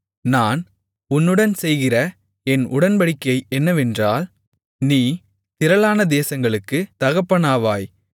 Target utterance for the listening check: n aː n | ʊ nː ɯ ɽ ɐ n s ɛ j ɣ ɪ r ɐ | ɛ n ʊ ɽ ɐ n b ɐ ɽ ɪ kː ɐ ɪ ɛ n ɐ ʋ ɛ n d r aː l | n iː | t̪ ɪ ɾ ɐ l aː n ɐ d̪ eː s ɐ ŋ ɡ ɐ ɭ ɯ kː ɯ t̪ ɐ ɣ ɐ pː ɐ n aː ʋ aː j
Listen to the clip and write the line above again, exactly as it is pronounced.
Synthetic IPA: n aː n | ʊ nː ɯ ɽ ɐ n s ɛ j ɣ ɪ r ɐ | ɛ n ʊ ɽ ɐ n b ɐ ɽ ɪ kː ɐ ɪ ɛ nː ɐ ʋ ɛ n d r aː l | n iː | t̪ ɪ ɾ ɐ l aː n ɐ d̪ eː s ɐ ŋ ɡ ɐ ɭ ɯ kː ɯ t̪ ɐ ɣ ɐ pː ɐ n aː ʋ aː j